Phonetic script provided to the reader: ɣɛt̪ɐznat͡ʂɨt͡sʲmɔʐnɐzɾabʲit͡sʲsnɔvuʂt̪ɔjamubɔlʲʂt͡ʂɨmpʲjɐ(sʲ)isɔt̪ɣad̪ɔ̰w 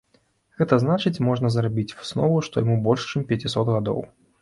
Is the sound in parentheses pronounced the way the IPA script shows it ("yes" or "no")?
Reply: no